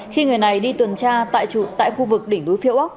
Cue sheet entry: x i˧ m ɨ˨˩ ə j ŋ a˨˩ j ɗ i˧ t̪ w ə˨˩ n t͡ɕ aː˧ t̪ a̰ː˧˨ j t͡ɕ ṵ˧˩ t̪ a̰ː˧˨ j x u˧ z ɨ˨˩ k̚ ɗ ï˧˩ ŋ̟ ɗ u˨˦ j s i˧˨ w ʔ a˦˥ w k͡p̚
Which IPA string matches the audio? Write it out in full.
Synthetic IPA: x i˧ ŋ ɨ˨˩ ə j n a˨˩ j ɗ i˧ t̪ w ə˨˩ n t͡ɕ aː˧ t̪ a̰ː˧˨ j t͡ɕ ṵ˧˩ t̪ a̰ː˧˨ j x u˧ v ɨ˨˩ k̚ ɗ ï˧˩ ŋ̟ ɗ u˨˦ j f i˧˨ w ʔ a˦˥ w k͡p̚